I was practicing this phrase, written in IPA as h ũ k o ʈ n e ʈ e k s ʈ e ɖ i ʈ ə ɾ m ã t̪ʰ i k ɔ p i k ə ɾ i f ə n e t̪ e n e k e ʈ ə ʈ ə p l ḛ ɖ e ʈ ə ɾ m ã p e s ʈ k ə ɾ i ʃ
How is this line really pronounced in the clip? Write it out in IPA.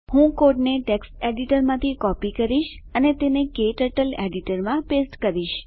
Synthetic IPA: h ũ k o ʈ n e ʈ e k s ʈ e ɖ i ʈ ə ɾ m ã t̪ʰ i k ɔ p i k ə ɾ i ʃ ə n e t̪ e n e k e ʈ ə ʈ ə l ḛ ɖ i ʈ ə ɾ m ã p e s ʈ k ə ɾ i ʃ